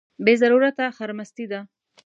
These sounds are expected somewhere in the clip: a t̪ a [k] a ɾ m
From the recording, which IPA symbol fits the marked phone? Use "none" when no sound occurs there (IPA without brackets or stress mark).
x